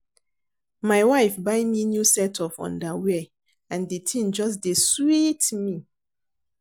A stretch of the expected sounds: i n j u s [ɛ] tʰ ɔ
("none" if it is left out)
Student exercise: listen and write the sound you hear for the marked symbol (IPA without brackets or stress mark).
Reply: ɛ